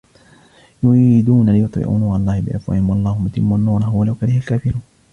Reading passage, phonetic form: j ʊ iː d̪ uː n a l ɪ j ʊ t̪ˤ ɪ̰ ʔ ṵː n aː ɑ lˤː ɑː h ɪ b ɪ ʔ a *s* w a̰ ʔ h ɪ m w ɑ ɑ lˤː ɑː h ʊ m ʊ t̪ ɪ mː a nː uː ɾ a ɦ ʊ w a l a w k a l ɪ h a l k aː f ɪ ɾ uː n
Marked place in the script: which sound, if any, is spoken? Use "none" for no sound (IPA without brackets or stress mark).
f